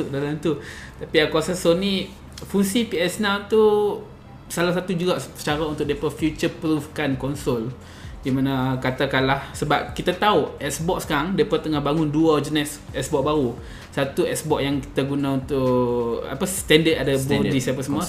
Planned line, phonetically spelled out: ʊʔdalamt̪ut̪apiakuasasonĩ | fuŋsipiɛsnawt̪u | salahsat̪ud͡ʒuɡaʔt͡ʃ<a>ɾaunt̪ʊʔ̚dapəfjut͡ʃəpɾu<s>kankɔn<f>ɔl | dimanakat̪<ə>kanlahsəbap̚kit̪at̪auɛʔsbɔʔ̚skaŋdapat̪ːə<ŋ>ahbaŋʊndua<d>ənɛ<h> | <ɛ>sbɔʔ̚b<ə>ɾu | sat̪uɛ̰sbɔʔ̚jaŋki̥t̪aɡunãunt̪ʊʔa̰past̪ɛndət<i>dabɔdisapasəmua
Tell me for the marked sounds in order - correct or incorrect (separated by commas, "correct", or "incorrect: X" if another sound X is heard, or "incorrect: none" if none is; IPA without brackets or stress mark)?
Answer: correct, incorrect: f, incorrect: s, incorrect: a, correct, incorrect: d͡ʒ, incorrect: s, correct, incorrect: a, incorrect: a